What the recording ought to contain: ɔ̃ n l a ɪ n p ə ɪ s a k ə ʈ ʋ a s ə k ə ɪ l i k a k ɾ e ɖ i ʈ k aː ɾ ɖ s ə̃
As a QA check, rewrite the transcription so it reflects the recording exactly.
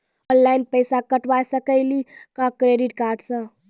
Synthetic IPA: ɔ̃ n l a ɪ n p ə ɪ s a k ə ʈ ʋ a s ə k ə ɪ l i k a k ɾ e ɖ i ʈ k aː ɾ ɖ s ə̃

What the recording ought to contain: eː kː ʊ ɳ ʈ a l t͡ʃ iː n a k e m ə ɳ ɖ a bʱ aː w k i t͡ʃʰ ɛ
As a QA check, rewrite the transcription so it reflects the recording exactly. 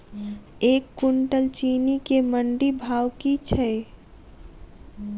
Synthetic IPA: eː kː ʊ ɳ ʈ ə l t͡ʃ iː n i k e m ə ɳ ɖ i bʱ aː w k i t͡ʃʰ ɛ

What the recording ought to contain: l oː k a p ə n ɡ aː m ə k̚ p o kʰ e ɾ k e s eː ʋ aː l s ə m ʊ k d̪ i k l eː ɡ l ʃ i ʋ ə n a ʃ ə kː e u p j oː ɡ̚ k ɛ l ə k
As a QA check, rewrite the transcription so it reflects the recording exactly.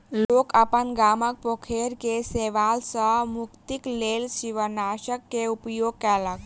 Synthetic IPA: l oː k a p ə n ɡ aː m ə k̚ p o kʰ e ɾ k e s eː ʋ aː l s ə m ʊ k t̪ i k l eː l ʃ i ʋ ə n a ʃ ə kː e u p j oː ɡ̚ k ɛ l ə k

